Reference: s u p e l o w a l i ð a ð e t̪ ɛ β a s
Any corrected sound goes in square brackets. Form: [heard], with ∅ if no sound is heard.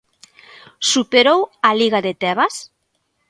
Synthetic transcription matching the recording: s u p e [ɾ] o w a l i [ɣ] a ð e t̪ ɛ β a s